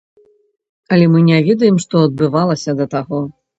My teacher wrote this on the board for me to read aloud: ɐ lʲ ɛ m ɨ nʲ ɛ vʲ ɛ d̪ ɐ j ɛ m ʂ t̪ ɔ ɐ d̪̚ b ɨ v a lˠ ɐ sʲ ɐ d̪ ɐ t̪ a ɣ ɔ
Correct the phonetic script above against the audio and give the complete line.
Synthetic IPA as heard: ɐ lʲ ɛ m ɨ nʲ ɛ vʲ ɛ d̪ ɐ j ɛ m ʂ t̪ ɔ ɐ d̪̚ b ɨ v a lˠ ɐ sʲ ɐ d̪ ɐ t̪ a ɣ ɔ